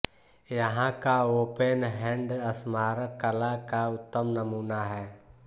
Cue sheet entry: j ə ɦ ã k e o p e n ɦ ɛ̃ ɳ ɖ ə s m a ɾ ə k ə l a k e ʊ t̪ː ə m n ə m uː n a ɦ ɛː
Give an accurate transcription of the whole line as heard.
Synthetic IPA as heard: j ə ɦ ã k a o p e n ɦ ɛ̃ ɳ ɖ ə s m a ɾ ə k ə l a k a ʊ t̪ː ə m n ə m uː n a ɦ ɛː